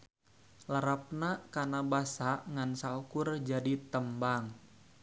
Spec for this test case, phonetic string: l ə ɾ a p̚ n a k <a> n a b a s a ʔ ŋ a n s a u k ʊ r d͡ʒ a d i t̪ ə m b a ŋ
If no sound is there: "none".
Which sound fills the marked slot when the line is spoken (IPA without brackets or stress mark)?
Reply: a